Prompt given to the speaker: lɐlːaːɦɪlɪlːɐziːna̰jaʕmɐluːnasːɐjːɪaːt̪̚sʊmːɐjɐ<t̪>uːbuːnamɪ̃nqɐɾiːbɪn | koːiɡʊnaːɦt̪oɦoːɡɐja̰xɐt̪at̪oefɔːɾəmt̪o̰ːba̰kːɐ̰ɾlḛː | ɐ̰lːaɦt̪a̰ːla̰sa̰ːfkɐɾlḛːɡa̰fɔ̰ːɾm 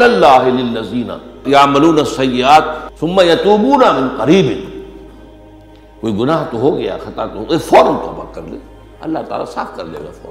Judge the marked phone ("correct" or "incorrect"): correct